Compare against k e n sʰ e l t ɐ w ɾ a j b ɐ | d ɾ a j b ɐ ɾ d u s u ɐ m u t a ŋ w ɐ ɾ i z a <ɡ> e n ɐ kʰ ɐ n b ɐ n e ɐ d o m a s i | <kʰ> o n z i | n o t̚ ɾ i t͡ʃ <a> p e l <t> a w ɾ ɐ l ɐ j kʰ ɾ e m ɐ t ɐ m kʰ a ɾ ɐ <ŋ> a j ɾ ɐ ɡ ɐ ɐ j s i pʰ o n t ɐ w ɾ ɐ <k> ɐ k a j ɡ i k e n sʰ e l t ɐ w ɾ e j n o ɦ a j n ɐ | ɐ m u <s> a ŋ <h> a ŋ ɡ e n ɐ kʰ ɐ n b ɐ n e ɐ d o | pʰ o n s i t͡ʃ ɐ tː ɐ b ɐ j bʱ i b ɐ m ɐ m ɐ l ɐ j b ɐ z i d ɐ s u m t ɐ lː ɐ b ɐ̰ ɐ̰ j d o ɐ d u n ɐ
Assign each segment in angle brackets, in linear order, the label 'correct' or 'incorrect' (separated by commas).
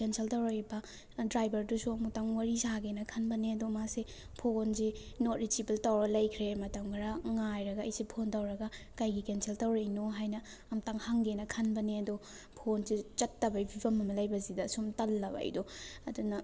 correct, incorrect, incorrect, correct, correct, incorrect, incorrect, correct